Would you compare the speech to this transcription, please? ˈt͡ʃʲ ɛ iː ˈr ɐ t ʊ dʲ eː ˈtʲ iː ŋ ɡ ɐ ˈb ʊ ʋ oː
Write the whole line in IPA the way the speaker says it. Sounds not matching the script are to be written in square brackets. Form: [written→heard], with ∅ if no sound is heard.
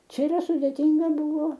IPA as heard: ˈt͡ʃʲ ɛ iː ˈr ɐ [t→s] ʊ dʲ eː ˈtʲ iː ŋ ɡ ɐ ˈb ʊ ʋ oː